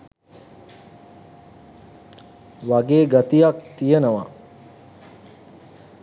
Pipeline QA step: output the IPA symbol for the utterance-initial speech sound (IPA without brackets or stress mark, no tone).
ʋ